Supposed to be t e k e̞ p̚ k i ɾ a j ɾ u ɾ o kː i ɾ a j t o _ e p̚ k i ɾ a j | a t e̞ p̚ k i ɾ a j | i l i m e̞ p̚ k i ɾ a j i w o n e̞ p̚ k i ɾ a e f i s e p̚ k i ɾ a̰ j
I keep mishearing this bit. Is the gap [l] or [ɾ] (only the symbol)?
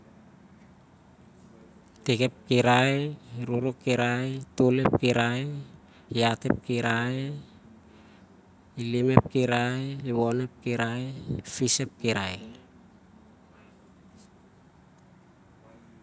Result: l